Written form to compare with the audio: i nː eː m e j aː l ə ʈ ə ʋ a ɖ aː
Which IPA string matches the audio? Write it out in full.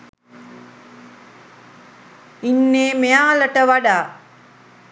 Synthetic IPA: i nː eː m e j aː l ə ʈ ə ʋ a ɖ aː